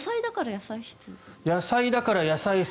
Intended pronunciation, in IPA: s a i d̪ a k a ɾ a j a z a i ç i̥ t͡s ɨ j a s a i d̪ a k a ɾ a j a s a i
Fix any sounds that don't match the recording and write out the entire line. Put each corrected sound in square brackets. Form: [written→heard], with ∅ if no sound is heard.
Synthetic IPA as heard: s a i d̪ a k a ɾ a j a [z→s] a i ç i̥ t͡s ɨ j a s a i d̪ a k a ɾ a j a s a i

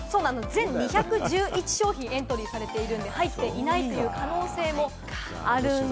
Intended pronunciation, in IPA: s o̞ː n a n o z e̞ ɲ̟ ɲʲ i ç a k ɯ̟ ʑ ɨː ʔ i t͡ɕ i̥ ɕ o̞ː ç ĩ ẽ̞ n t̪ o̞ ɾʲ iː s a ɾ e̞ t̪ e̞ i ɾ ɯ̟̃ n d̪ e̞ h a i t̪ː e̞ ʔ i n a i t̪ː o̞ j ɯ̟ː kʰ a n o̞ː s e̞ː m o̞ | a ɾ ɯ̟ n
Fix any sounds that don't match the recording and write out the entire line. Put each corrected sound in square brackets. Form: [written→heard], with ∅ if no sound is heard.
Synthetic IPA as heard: s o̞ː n a n o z [e̞→ẽ̞] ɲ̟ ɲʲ i ç a k ɯ̟ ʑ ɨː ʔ i t͡ɕ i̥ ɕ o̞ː ç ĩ ẽ̞ n t̪ o̞ ɾʲ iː s a ɾ e̞ t̪ e̞ i ɾ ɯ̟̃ n d̪ e̞ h a i t̪ː e̞ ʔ i n a i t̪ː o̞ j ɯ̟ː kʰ a n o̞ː s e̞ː m o̞ | a ɾ ɯ̟ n

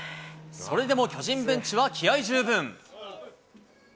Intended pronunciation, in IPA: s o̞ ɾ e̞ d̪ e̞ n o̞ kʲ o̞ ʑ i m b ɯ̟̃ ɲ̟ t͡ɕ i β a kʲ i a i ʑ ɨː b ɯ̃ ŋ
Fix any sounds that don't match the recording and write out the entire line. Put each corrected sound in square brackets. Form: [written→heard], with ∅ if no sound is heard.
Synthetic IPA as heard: s o̞ ɾ e̞ d̪ e̞ [n→m] o̞ kʲ o̞ ʑ [i→ĩ] m b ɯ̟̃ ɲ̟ t͡ɕ i β a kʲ i a i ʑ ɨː b ɯ̃ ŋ

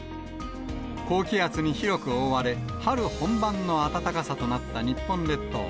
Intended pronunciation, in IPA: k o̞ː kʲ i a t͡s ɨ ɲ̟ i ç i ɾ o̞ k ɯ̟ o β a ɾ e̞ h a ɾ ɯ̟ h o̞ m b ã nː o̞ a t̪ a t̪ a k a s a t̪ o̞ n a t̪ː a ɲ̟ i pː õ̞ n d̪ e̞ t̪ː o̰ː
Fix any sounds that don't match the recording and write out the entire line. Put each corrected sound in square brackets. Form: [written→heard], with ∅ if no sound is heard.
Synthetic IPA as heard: k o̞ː kʲ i a t͡s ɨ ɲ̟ i ç i ɾ o̞ k ɯ̟ o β a ɾ e̞ h a ɾ ɯ̟ h [o̞→õ̞] m b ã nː o̞ a t̪ a t̪ a k a s a t̪ o̞ n a t̪ː a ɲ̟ i pː õ̞ n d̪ e̞ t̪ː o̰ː

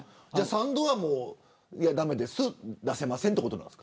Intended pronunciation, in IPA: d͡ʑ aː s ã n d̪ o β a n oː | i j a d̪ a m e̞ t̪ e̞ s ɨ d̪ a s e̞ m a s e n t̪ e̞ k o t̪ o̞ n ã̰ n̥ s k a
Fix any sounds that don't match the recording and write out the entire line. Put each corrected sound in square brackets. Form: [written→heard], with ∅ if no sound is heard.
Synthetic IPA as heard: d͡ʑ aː s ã n d̪ o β a [n→m] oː | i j a d̪ a m e̞ [t̪→d̪] e̞ s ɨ d̪ a s e̞ m a s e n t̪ e̞ k o t̪ o̞ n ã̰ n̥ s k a

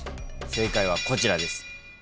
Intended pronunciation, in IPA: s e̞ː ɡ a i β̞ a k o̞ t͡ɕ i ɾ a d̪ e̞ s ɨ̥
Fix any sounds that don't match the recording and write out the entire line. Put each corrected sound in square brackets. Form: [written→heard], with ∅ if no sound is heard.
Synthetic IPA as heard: s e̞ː [ɡ→k] a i β̞ a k o̞ t͡ɕ i ɾ a d̪ e̞ s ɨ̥

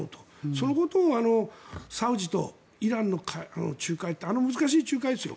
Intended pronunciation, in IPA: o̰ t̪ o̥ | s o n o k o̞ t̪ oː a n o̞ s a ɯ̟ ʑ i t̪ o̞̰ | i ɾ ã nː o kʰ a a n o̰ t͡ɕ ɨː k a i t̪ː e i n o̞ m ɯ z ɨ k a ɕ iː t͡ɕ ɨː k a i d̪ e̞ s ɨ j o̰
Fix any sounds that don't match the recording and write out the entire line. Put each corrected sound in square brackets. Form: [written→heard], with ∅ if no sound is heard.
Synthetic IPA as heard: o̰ t̪ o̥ | s o n o k o̞ t̪ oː a n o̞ s a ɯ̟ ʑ i t̪ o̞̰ | i ɾ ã nː o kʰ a a n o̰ t͡ɕ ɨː k a i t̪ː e [i→a] n o̞ m ɯ z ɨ k a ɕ iː t͡ɕ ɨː k a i d̪ e̞ s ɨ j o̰

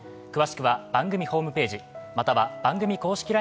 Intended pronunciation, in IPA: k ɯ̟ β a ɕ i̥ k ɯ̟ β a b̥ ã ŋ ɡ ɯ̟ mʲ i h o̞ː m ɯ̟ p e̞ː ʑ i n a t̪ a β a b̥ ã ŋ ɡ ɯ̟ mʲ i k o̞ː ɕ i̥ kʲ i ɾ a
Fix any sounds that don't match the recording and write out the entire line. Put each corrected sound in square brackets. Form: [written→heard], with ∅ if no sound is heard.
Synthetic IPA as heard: k ɯ̟ β a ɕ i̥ k ɯ̟ β a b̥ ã ŋ ɡ ɯ̟ mʲ i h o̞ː m ɯ̟ p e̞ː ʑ i [n→m] a t̪ a β a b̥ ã ŋ ɡ ɯ̟ mʲ i k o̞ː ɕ i̥ kʲ i ɾ a

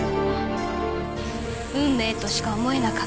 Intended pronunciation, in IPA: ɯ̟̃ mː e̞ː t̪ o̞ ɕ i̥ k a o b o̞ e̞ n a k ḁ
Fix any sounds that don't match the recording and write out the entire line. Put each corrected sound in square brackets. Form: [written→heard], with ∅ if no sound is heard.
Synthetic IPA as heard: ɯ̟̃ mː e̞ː t̪ o̞ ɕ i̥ k a o [b→m] o̞ e̞ n a k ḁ

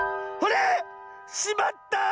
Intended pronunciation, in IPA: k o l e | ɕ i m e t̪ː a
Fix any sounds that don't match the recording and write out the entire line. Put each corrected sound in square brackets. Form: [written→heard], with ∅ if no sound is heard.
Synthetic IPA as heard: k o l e | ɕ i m [e→a] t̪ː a

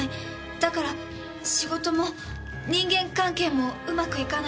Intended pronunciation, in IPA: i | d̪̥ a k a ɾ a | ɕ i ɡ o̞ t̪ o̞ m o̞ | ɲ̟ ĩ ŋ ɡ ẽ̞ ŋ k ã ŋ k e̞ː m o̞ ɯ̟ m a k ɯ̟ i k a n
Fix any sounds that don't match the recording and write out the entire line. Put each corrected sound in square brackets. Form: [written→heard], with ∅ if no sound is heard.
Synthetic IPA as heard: i | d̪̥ a k a ɾ a | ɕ i ɡ o̞ t̪ o̞ m o̞ | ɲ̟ ĩ ŋ ɡ ẽ̞ ŋ k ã ŋ k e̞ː m o̞ ɯ̟ m a k ɯ̟ i k a n

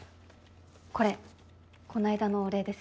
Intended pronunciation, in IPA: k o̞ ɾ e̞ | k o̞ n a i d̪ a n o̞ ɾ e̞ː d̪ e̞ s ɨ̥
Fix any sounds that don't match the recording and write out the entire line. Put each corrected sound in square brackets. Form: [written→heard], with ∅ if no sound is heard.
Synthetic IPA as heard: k o̞ ɾ e̞ | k o̞ n a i d̪ a n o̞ ɾ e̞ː d̪ e̞ s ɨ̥

